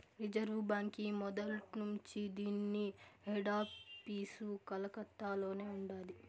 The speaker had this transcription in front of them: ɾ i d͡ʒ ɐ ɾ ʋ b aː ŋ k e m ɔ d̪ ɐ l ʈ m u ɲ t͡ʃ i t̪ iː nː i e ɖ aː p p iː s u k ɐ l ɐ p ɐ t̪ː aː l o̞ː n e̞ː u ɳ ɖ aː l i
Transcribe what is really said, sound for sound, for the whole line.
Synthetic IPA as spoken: ɾ i d͡ʒ ɐ ɾ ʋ b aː ŋ k i m ɔ d̪ ɐ l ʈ n u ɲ t͡ʃ i d̪ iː nː i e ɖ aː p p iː s u k ɐ l ɐ k ɐ t̪ː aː l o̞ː n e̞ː u ɳ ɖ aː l i